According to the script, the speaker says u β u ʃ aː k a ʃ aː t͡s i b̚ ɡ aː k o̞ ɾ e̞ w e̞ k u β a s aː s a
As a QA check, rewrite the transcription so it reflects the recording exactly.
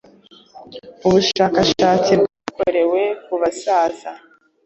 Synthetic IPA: u β u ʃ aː k a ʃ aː t͡s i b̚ ɡ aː k o̞ ɾ e̞ w e̞ k u β a s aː z a